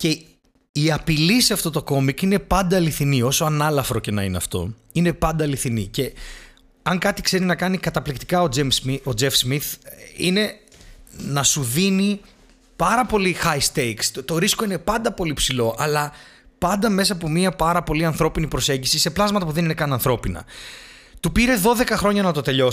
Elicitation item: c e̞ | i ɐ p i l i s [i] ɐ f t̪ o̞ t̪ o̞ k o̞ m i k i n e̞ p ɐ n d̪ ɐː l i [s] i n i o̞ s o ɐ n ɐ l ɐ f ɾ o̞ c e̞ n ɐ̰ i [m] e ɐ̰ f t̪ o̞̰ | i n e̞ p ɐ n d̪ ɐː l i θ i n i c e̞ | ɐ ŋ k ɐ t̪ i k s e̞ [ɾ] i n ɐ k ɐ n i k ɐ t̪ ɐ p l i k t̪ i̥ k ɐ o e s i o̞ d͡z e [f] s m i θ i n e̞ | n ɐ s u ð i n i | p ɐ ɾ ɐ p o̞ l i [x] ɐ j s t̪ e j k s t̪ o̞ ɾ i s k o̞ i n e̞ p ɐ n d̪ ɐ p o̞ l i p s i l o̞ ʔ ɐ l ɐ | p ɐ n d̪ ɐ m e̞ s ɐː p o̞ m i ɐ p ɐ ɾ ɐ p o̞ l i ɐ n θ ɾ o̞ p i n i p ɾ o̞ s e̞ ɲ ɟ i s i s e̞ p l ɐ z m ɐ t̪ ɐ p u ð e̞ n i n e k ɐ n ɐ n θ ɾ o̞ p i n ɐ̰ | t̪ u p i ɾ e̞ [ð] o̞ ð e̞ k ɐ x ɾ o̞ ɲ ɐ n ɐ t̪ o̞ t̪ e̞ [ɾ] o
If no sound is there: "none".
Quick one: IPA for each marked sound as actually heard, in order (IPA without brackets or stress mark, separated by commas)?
e, θ, n, ɾ, f, x, ð, ʎ